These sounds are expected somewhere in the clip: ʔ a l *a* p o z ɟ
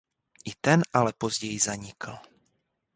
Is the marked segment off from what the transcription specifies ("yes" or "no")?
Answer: yes